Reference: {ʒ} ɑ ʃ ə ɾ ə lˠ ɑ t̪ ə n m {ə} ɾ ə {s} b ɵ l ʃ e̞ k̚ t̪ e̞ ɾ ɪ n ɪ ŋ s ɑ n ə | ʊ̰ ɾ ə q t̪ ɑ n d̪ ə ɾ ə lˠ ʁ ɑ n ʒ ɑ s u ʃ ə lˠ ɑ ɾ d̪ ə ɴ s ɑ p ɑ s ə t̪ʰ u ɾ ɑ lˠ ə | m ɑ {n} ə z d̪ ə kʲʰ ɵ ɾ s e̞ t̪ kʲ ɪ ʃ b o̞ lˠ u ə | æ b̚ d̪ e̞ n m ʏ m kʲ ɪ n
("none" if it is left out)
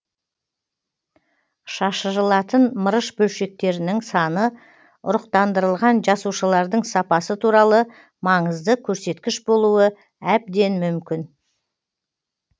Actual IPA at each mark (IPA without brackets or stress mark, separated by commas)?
ʃ, ə, ʃ, ɴ